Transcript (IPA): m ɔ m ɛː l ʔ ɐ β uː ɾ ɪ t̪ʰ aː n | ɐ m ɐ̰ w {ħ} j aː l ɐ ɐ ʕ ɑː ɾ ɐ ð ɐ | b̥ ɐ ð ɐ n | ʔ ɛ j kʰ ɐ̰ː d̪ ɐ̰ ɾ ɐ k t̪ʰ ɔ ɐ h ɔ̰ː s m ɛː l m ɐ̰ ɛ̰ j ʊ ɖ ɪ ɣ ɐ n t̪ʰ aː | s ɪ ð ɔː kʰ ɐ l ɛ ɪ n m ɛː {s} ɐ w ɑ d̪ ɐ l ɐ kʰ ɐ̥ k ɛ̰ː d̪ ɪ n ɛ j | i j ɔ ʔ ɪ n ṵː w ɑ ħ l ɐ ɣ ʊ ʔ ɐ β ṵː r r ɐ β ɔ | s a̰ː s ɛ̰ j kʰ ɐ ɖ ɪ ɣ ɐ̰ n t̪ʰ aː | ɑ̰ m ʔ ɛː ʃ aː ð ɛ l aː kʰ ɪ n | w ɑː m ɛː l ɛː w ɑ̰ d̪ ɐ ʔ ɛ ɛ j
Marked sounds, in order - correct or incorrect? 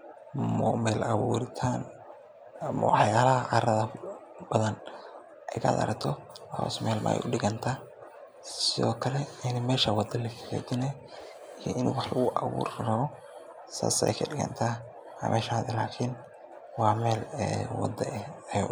correct, incorrect

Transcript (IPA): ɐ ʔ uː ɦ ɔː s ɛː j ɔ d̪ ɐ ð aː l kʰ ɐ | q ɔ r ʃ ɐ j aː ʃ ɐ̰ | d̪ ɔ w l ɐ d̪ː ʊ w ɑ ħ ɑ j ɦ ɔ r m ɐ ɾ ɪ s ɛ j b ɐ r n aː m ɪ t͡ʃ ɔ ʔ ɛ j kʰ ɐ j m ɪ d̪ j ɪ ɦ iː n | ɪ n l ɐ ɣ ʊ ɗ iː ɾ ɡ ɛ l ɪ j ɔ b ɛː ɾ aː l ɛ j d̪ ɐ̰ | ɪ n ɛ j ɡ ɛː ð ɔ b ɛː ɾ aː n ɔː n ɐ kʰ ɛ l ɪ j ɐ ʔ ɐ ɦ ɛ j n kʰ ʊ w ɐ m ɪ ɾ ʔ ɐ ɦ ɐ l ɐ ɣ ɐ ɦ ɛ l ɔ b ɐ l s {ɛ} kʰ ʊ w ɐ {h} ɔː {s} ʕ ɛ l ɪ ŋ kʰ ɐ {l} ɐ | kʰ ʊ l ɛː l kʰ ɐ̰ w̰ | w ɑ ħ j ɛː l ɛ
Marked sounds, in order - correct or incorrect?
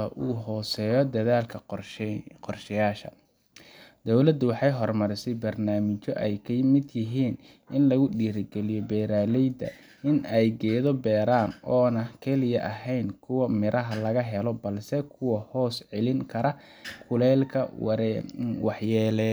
correct, correct, correct, incorrect

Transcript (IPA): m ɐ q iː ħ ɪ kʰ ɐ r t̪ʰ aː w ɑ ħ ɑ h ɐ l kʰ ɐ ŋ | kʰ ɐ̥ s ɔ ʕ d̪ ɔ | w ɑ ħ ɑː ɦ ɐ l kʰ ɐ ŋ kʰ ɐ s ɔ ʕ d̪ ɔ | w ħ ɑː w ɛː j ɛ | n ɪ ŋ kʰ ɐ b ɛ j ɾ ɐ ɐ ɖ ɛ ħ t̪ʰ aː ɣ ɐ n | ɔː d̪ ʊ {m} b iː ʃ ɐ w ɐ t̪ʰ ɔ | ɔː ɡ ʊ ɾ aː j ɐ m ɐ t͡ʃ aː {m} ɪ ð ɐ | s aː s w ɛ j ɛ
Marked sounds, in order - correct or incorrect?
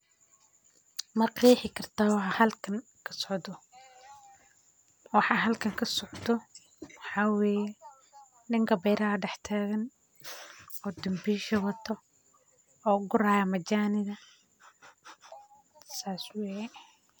correct, incorrect

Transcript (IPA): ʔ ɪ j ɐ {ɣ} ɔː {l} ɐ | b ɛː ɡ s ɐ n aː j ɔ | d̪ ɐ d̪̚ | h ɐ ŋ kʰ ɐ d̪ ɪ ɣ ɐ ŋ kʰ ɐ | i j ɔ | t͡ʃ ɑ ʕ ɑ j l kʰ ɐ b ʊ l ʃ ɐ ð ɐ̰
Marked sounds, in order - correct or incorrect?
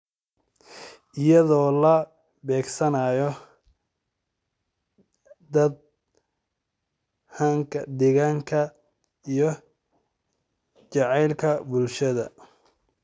incorrect, correct

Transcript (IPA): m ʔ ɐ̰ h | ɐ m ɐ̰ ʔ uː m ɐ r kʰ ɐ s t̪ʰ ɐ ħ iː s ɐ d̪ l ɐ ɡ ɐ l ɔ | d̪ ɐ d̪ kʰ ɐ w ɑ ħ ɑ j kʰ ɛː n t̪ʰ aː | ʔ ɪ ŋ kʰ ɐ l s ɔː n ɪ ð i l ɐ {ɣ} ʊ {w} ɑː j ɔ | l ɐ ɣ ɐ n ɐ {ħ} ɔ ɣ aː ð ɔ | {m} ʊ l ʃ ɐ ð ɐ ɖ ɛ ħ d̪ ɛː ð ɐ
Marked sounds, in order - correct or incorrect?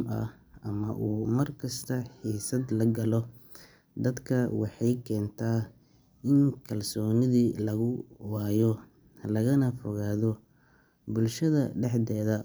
correct, correct, incorrect, incorrect

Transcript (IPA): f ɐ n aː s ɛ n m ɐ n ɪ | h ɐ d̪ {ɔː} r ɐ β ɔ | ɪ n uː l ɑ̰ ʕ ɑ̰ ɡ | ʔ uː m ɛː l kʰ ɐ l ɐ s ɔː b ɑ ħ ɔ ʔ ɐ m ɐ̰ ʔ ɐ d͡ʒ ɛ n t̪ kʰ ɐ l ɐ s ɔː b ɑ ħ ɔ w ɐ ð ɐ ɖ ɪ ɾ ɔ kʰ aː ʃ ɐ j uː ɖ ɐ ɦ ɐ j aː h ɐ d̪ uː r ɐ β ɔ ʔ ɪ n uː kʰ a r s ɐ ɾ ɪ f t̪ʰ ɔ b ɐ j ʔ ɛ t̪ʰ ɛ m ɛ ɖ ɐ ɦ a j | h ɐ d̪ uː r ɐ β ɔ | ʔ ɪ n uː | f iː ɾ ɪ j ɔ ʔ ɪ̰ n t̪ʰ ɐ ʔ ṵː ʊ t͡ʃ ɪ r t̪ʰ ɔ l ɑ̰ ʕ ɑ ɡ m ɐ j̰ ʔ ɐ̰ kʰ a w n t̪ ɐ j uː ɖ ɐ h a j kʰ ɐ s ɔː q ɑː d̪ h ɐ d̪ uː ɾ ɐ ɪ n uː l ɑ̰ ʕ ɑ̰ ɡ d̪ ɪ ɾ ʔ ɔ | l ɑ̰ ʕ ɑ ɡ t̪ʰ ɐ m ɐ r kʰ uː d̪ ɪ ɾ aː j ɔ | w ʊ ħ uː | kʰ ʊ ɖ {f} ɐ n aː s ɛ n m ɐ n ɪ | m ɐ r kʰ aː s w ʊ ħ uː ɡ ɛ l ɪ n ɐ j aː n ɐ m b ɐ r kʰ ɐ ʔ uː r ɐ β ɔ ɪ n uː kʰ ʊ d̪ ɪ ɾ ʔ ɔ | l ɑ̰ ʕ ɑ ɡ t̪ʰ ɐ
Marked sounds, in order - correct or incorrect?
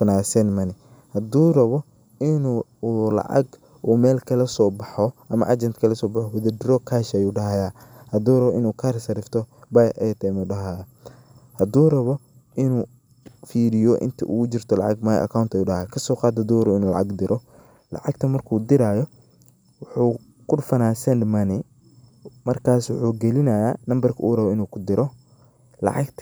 incorrect, correct

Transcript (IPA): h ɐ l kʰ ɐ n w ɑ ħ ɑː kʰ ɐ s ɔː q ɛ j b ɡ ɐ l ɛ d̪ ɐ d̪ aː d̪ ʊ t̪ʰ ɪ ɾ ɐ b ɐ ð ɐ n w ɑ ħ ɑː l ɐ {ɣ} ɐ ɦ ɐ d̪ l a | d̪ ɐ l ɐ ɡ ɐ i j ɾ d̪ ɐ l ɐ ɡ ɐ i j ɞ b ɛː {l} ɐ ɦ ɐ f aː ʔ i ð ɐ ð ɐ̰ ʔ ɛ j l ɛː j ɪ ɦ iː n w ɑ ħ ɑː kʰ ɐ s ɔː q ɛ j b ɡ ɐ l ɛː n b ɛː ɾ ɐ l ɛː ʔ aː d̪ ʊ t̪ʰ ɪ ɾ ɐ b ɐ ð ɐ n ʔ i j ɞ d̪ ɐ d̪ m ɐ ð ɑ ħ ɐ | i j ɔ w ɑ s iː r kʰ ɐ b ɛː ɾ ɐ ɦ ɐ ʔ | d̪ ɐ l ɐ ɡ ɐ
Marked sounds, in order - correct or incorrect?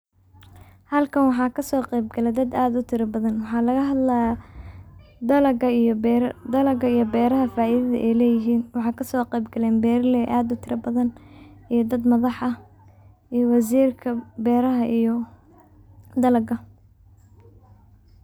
correct, incorrect

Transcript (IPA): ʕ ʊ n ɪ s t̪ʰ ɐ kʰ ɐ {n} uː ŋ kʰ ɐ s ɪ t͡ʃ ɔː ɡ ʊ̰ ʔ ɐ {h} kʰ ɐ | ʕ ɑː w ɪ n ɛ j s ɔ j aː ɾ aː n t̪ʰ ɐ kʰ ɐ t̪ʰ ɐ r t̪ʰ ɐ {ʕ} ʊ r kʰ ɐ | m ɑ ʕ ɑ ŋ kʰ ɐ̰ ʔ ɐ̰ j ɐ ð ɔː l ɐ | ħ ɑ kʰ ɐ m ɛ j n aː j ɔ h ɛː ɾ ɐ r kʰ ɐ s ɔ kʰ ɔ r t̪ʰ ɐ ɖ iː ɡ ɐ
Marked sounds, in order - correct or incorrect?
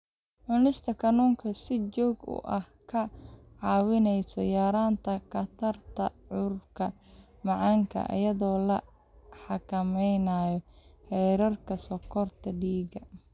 correct, correct, correct

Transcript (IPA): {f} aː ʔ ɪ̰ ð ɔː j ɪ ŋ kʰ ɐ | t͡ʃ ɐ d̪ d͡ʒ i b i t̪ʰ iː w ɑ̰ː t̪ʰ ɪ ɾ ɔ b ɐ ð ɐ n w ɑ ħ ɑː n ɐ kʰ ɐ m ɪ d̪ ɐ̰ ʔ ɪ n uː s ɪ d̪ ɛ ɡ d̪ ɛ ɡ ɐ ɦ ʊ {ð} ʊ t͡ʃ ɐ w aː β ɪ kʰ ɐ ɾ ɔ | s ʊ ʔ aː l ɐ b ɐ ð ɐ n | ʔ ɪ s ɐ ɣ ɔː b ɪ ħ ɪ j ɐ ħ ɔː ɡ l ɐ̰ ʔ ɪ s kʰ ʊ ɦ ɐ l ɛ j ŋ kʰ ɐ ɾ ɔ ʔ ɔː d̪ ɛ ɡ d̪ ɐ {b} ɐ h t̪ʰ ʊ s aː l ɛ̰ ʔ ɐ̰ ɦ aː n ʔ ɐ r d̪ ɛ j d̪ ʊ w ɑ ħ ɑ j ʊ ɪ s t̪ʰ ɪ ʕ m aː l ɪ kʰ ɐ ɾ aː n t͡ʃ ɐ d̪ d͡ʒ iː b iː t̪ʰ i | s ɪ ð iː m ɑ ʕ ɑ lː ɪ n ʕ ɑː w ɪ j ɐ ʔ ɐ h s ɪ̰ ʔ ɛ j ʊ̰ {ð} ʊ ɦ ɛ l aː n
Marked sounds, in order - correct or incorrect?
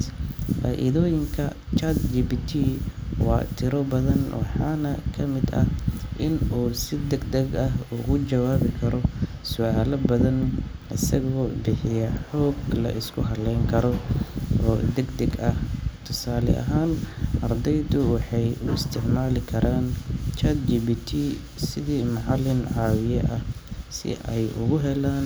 correct, incorrect, incorrect, incorrect

